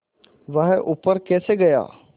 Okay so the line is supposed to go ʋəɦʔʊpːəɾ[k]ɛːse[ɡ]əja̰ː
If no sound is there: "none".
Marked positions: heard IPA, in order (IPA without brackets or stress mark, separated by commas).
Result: k, ɡ